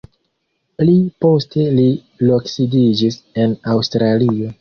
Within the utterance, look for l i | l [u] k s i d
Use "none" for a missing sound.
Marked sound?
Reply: o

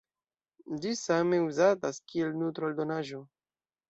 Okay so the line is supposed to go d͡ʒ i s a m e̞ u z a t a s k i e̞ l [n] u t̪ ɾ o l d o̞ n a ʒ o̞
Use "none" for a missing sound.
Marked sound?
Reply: n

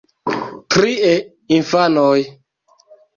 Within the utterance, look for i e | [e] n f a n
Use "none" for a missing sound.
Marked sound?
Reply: i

